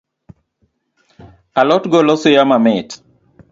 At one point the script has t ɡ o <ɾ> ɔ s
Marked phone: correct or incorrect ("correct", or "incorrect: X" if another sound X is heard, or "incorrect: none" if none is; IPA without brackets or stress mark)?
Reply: incorrect: l